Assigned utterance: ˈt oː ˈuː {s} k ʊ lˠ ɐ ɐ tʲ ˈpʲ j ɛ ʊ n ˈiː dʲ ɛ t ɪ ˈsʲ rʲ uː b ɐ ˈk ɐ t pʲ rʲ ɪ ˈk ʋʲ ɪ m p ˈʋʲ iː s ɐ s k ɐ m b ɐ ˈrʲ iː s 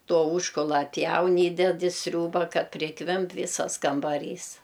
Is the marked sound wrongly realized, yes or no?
yes